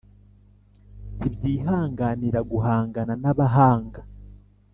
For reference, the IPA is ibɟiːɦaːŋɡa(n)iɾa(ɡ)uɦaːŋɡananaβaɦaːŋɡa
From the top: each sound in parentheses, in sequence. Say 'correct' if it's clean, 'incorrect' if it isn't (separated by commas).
correct, correct